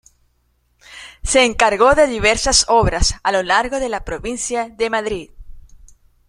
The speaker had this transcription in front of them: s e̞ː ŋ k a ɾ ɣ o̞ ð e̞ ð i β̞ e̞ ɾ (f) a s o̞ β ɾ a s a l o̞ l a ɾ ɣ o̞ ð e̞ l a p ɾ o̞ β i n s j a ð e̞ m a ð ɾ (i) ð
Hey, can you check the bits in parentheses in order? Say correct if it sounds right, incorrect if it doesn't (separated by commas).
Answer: incorrect, correct